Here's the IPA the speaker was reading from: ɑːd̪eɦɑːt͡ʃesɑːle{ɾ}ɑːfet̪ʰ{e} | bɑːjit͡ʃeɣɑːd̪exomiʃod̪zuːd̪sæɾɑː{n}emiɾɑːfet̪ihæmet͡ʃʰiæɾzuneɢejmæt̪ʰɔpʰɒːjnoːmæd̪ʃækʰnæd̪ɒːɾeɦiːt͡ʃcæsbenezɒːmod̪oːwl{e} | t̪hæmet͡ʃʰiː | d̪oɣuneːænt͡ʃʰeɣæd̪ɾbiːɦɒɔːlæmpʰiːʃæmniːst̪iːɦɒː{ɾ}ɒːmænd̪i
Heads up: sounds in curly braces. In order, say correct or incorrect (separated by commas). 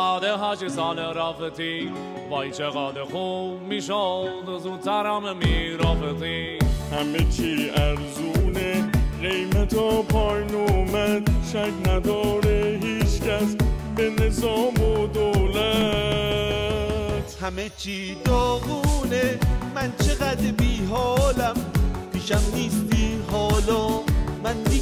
correct, incorrect, incorrect, incorrect, incorrect